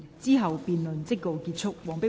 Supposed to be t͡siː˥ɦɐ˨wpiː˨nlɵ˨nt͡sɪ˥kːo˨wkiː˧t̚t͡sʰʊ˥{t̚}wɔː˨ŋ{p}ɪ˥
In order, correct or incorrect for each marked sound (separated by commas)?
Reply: incorrect, correct